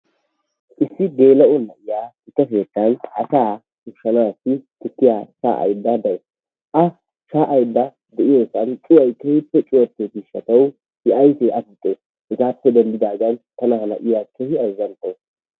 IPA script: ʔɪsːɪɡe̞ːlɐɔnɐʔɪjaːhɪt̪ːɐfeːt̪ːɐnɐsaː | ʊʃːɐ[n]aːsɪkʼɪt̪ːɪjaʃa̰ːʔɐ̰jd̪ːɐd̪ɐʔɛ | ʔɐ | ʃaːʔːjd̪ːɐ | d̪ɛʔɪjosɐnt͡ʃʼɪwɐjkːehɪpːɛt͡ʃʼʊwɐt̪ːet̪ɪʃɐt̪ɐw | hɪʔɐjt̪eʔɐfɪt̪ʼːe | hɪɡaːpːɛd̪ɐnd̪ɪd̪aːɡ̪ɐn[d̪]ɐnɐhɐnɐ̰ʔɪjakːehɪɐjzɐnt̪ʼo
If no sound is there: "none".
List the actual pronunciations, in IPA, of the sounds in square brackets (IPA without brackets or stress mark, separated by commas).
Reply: n, t̪